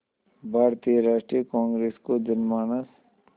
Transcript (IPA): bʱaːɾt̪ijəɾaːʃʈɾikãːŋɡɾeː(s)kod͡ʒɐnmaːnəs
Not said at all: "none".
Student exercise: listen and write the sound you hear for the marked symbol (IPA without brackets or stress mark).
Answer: s